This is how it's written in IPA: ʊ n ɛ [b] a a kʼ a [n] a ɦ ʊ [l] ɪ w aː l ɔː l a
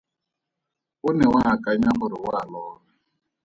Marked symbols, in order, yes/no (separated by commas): no, no, no